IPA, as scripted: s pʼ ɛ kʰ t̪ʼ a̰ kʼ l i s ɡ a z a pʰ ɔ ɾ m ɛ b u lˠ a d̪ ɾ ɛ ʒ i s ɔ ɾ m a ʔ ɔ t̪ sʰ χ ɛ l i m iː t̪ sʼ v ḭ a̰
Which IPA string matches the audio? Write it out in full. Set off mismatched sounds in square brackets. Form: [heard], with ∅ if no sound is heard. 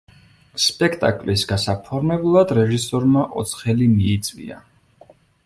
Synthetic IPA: s pʼ ɛ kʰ t̪ʼ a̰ kʼ l i s ɡ a [s] a pʰ ɔ ɾ m ɛ b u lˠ a d̪ ɾ ɛ ʒ i s ɔ ɾ m a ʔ ɔ t̪ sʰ χ ɛ l i m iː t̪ sʼ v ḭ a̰